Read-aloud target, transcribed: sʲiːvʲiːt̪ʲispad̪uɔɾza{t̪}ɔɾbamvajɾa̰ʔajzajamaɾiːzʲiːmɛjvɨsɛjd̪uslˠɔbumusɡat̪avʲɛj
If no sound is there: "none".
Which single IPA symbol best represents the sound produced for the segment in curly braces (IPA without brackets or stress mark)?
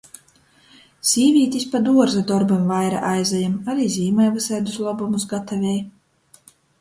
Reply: d̪